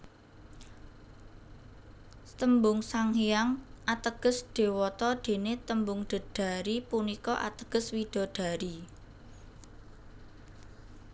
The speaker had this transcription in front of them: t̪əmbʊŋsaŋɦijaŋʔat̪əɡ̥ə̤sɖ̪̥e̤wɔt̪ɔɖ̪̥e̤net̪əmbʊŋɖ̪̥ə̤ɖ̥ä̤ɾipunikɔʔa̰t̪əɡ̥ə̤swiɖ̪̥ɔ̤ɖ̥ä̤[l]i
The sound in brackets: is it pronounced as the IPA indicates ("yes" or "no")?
no